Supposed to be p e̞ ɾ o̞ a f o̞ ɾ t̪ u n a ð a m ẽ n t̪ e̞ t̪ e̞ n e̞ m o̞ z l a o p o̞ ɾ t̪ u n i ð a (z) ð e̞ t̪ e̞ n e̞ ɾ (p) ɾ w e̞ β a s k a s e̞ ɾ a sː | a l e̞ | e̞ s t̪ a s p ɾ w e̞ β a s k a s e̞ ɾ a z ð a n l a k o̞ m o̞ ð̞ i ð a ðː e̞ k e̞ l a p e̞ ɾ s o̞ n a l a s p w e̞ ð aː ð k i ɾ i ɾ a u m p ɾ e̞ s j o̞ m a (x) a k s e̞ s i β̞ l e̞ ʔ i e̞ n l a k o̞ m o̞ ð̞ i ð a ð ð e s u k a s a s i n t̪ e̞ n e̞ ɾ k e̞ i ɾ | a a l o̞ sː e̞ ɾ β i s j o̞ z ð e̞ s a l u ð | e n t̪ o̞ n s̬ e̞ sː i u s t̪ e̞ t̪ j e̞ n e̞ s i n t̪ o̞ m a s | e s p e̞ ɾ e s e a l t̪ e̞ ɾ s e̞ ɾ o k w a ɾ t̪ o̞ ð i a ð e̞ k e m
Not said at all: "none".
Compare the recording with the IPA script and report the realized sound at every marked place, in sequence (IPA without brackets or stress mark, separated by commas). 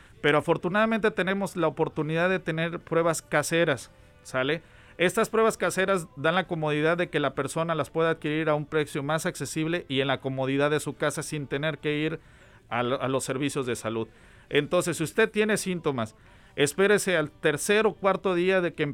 ð, p, s